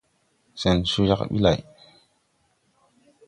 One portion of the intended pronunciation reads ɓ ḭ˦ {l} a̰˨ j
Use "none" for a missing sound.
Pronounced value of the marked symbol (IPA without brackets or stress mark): l